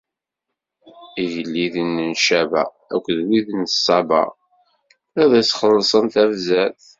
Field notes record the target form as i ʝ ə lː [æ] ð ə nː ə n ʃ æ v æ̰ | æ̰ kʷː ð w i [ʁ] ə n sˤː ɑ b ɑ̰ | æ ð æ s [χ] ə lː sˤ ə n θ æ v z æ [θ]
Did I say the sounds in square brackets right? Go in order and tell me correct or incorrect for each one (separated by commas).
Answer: incorrect, incorrect, correct, correct